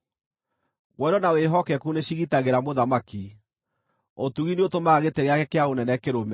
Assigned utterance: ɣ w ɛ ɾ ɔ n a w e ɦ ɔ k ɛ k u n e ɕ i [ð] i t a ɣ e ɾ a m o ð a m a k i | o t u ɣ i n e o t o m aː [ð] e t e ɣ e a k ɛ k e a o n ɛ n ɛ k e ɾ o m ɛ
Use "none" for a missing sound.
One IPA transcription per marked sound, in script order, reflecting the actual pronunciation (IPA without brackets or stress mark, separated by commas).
ɣ, ɣ